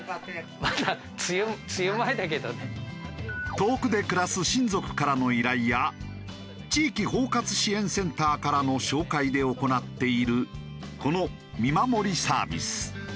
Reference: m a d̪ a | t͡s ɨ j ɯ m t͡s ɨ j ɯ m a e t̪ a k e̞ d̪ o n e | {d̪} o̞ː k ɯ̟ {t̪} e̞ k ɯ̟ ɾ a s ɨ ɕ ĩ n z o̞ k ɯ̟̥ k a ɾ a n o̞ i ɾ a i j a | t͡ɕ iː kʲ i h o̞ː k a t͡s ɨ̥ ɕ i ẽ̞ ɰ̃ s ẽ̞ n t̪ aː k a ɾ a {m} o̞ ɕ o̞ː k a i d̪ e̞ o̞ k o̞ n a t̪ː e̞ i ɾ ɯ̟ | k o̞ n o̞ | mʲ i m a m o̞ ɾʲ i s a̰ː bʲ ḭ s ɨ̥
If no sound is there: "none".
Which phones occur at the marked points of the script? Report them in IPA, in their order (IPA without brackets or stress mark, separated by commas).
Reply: t̪, d̪, n